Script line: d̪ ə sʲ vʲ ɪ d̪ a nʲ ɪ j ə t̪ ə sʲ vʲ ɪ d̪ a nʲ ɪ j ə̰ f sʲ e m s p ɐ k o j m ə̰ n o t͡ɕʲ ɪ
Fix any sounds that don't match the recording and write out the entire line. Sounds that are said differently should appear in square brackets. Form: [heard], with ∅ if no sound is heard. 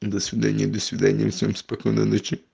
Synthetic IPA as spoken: d̪ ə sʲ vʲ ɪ d̪ a nʲ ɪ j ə [d̪] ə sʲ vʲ ɪ d̪ a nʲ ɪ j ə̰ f sʲ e m s p ɐ k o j [n] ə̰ n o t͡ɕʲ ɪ